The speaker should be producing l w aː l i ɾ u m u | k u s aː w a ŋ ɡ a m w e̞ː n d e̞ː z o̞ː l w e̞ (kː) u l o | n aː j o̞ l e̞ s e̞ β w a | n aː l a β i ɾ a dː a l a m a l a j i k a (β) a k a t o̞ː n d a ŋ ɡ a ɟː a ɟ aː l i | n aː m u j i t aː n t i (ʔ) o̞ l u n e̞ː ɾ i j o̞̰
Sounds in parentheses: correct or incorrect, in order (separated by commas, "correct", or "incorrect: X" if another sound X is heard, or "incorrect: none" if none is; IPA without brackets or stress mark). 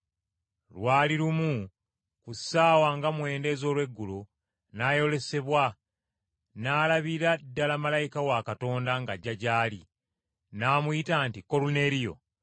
incorrect: ɡː, incorrect: w, incorrect: k